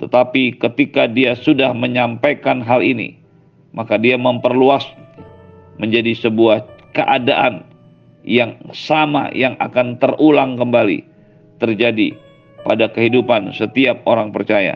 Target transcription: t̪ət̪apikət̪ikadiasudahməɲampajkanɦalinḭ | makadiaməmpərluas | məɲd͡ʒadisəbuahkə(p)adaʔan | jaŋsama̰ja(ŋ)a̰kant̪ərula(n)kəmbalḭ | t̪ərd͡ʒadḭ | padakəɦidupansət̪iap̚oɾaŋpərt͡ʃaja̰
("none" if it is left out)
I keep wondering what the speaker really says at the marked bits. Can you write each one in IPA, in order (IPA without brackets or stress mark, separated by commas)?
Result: ʔ, ŋ, ŋ